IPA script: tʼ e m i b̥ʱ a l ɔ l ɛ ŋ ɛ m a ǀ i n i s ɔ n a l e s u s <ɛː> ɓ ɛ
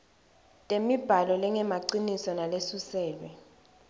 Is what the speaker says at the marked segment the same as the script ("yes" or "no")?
yes